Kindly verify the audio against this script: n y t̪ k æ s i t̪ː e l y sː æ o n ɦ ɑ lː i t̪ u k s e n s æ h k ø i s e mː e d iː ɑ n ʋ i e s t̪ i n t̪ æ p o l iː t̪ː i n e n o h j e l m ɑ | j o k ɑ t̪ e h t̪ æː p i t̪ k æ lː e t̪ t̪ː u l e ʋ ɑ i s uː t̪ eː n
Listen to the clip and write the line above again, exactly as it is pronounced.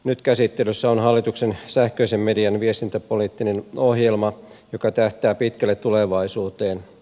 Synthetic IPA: n y t̪ k æ s i t̪ː e l y sː æ o n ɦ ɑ lː i t̪ u k s e n s æ h k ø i s e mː e d i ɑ n ʋ i e s t̪ i n t̪ æ p o l iː t̪ː i n e n o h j e l m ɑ | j o k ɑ t̪ æ h t̪ æː p i t̪ k æ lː e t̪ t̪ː u l e ʋ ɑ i s uː t̪ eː n